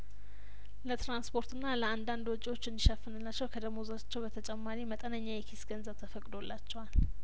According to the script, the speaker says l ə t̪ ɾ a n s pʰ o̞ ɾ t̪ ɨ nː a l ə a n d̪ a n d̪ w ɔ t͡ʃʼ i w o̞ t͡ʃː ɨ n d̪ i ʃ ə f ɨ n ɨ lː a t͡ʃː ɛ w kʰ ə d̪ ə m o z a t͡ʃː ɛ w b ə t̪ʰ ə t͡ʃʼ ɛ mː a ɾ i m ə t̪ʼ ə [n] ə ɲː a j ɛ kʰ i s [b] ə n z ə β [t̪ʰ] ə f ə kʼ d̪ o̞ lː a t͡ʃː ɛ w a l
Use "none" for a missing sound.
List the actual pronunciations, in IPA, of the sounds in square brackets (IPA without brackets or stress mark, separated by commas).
n, ɡ, t̪ʰ